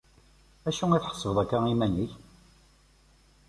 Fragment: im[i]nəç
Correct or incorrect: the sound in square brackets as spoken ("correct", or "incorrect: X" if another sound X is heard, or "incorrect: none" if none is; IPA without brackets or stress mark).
incorrect: æ